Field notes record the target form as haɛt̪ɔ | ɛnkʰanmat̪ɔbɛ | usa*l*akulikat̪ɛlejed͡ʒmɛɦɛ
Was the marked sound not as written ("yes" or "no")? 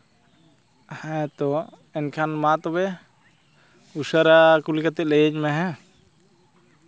yes